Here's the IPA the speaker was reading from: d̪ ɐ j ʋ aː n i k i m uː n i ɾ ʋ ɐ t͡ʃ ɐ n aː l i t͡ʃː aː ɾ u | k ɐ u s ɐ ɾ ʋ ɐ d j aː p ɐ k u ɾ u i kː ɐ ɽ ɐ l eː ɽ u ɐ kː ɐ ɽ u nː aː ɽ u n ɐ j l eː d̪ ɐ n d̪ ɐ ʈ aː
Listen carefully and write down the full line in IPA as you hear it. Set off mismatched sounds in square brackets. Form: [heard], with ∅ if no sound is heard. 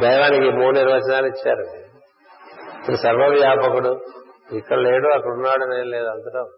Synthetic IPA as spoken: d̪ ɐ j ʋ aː n i k i m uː n i ɾ ʋ ɐ t͡ʃ ɐ n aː l i t͡ʃː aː ɾ u | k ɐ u s ɐ ɾ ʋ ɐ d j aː p ɐ k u [ɽ] u i kː ɐ ɽ ɐ l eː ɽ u ɐ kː ɐ ɽ u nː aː ɽ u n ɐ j l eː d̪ ɐ n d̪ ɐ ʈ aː